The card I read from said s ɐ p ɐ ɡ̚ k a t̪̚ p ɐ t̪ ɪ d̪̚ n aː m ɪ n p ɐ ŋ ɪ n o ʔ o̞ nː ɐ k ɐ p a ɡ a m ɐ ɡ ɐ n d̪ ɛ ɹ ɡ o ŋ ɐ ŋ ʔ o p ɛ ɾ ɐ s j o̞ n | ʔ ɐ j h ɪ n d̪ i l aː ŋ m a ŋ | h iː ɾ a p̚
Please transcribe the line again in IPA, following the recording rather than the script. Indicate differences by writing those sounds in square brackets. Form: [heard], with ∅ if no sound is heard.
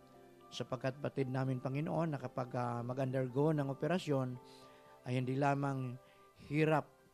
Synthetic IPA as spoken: s ɐ p ɐ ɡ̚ k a t̪̚ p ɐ t̪ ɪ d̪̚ n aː m ɪ n p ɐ ŋ ɪ n o ʔ o̞ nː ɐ k ɐ p a ɡ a m ɐ ɡ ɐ n d̪ ɛ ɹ ɡ o [n] ɐ ŋ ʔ o p ɛ ɾ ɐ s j o̞ n | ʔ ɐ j h ɪ n d̪ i l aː [∅] m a ŋ | h iː ɾ a p̚